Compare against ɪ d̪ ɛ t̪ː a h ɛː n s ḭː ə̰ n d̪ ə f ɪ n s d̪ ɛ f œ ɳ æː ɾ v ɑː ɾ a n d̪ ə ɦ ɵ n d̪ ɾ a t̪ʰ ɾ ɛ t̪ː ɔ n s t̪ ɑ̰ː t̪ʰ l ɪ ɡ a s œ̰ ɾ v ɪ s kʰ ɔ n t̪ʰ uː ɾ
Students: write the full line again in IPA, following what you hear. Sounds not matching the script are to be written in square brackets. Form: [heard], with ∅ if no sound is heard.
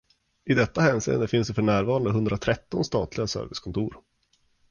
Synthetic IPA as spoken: ɪ d̪ ɛ t̪ː a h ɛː n s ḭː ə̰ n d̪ ə f ɪ n s d̪ ɛ f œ ɳ æː ɾ v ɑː ɾ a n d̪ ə ɦ ɵ n d̪ ɾ a t̪ʰ ɾ ɛ t̪ː ɔ n s t̪ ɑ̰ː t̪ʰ l ɪ ɡ a s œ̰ ɾ v ɪ s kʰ ɔ n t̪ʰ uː ɾ